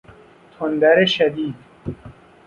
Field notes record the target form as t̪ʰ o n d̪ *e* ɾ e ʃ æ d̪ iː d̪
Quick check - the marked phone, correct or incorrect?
incorrect